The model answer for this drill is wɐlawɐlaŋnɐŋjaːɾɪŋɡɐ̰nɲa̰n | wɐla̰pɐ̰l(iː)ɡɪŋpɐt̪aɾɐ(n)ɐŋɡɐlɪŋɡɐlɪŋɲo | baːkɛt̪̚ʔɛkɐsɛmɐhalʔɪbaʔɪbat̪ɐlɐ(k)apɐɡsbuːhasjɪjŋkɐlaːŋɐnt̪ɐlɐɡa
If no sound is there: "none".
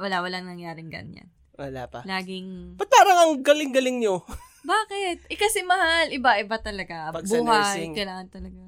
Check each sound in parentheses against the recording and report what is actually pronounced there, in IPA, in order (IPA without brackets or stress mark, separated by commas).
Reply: aː, ŋ, ɡ